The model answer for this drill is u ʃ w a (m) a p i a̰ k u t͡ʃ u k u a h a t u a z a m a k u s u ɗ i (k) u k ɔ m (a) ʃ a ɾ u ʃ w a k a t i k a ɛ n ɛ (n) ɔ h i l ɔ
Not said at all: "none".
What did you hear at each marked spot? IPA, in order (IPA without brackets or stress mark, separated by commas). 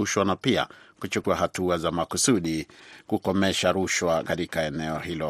n, k, ɛ, none